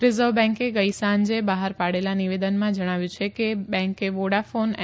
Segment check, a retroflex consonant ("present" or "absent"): present